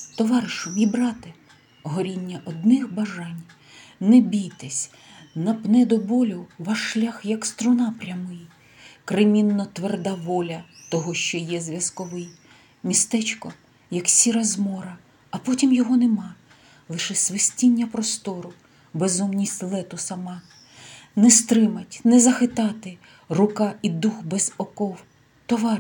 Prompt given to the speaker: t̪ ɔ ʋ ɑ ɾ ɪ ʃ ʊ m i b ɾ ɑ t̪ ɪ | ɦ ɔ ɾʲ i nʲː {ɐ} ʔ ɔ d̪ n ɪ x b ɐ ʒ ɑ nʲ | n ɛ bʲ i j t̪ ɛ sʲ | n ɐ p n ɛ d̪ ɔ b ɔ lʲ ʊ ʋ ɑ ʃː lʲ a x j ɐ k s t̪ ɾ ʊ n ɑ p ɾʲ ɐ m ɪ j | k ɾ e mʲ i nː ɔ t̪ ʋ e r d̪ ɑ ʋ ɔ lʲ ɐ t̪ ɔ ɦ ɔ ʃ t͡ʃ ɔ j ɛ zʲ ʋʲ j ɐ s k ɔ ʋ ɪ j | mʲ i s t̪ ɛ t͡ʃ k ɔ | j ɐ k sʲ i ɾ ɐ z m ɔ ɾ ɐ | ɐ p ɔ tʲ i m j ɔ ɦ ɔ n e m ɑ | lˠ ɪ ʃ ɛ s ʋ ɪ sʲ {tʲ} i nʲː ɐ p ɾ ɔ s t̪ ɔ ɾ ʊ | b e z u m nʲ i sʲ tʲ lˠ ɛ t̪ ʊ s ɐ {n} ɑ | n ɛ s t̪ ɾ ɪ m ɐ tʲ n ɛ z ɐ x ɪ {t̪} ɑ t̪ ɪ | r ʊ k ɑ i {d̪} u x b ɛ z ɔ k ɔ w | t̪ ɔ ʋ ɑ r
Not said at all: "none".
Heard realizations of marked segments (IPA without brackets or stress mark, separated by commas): ɐ, tʲ, m, t̪, d̪